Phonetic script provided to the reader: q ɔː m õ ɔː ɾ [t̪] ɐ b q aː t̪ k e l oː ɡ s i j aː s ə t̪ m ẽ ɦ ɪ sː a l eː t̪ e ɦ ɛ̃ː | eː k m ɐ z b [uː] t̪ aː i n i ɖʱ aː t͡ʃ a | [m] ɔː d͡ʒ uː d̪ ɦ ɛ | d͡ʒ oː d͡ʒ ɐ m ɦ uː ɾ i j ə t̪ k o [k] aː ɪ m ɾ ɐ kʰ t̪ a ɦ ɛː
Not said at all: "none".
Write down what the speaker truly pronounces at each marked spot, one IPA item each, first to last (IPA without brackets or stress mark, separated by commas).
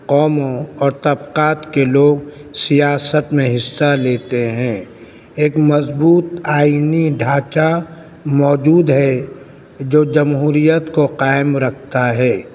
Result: t̪, uː, m, q